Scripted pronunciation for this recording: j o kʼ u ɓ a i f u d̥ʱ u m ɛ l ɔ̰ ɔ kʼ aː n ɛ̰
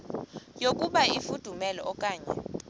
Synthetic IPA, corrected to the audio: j o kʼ u ɓ a i f u d̥ʱ u m ɛ l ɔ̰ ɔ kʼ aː ɲ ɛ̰